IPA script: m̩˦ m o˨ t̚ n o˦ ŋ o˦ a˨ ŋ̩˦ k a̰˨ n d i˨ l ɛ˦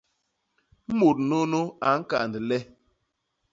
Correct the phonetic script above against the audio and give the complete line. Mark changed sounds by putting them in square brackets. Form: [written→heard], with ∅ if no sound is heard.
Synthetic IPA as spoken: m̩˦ m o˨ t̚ n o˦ [ŋ→n] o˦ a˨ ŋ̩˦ k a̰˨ n d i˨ l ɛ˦